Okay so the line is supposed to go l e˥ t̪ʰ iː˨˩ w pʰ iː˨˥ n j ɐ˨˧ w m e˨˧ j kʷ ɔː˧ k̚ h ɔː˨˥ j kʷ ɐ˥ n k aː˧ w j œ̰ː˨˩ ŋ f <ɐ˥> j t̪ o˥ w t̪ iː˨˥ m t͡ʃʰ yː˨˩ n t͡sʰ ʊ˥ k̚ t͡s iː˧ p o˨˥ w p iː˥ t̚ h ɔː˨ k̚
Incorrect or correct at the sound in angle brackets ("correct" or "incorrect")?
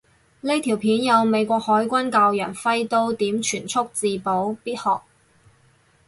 correct